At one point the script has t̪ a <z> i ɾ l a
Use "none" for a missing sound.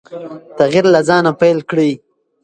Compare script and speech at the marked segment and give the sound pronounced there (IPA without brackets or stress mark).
ɣ